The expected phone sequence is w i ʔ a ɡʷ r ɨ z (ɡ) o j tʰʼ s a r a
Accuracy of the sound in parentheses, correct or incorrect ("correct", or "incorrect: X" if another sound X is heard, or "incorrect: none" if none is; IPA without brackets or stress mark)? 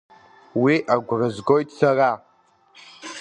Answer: correct